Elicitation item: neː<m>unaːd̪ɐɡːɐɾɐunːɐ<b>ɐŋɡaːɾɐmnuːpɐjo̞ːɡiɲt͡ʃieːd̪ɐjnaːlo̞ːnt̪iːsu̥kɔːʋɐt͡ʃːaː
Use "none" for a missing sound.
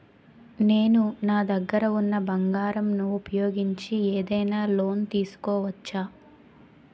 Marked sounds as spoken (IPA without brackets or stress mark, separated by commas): n, b